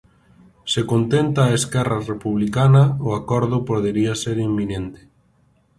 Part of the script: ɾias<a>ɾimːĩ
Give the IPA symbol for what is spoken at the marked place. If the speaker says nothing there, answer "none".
e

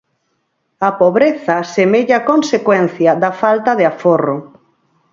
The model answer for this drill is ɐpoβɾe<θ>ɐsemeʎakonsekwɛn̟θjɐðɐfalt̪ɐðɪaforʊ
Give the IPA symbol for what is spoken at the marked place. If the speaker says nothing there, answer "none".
θ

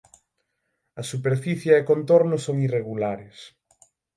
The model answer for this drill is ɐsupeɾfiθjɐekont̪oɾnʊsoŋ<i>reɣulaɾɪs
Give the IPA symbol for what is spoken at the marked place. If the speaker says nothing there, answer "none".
i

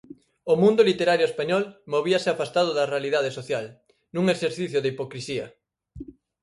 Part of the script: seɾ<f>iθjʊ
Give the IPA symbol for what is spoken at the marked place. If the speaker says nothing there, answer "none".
θ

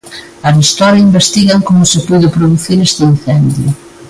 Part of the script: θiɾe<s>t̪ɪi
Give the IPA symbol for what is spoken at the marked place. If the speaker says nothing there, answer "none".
s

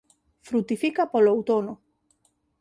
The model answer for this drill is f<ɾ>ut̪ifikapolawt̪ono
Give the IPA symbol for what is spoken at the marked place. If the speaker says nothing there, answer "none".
ɾ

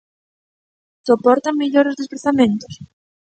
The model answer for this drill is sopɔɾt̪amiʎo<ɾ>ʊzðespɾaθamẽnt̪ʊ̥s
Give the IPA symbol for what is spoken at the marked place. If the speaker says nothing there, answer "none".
ɾ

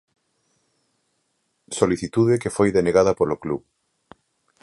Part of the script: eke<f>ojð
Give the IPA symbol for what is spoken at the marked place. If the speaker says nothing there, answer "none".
f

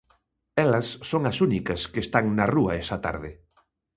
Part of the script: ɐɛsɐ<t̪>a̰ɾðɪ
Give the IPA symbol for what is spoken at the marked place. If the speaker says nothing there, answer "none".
t̪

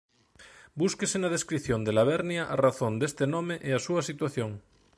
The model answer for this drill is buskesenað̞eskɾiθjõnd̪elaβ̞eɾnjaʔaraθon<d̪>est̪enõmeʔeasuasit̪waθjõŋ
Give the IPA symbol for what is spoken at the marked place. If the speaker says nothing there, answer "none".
d̪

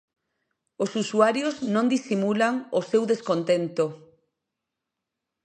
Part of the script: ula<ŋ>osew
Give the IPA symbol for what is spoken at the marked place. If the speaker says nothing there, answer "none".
ŋ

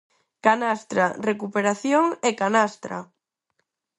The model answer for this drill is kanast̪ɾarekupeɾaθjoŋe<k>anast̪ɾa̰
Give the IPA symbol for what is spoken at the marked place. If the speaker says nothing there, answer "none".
k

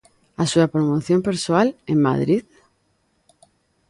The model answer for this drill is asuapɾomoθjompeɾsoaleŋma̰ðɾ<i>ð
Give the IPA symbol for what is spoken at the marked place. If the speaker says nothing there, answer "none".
i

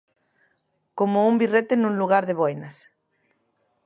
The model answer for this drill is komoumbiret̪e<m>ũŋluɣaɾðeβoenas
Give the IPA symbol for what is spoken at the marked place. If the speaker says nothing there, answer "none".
n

